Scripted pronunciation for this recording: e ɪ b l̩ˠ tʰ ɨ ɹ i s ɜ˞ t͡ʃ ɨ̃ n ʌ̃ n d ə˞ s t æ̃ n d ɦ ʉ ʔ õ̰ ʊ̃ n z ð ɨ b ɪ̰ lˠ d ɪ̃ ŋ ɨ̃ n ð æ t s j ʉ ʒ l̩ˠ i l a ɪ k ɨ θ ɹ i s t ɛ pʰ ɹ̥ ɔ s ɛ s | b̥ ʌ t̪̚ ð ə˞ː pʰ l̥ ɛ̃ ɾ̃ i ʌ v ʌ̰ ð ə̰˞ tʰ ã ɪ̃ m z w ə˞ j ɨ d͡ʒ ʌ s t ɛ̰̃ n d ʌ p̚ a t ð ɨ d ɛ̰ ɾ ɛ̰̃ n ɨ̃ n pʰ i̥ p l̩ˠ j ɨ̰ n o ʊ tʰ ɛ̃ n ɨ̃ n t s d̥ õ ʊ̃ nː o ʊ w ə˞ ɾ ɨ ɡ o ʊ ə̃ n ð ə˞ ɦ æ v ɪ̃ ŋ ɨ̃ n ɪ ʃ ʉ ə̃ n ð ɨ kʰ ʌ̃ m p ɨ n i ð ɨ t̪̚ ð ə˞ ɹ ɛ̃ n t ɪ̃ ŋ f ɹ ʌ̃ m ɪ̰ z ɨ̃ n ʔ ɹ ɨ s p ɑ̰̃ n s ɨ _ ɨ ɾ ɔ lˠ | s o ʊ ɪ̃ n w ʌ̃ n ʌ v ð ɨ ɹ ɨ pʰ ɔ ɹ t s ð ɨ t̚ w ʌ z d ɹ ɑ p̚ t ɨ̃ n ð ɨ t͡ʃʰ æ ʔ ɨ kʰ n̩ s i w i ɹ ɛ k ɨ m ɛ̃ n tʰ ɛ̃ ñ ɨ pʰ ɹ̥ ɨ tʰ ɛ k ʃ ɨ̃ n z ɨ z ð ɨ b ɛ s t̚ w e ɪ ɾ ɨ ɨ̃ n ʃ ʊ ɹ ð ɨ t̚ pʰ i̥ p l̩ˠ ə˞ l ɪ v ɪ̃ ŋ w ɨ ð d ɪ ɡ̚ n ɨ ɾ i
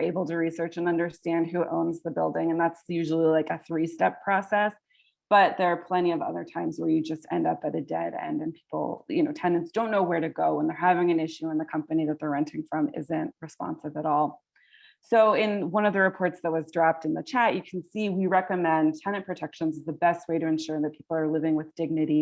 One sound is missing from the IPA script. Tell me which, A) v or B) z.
A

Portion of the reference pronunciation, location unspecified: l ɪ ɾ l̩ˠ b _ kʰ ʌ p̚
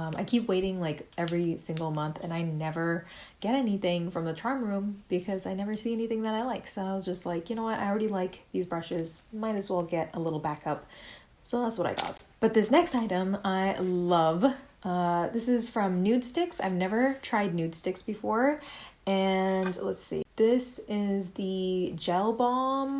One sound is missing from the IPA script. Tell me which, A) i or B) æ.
B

